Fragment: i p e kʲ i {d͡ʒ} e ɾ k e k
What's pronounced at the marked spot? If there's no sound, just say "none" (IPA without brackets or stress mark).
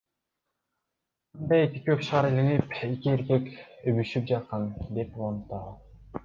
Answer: none